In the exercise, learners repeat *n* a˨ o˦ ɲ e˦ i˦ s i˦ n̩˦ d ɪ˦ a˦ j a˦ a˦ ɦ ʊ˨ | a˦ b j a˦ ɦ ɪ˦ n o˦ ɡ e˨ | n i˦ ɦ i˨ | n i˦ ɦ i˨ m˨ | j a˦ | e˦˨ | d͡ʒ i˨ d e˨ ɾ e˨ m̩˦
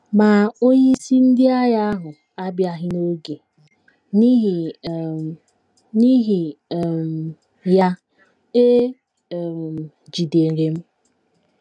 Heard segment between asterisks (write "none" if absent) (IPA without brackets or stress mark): m